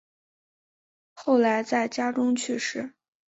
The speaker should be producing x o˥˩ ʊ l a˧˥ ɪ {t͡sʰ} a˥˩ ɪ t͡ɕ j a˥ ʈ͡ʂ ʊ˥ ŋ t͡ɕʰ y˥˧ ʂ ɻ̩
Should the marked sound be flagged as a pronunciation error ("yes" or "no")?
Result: yes